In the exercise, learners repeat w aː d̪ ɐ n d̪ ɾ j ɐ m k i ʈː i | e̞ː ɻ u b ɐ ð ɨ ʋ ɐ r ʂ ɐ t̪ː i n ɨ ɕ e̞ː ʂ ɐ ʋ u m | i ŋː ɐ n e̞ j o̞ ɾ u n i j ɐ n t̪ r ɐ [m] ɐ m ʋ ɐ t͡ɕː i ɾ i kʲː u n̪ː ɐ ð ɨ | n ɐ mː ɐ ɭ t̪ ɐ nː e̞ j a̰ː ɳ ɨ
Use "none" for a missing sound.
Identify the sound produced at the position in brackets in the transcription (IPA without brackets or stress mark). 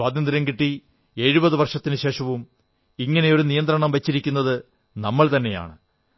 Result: ɳ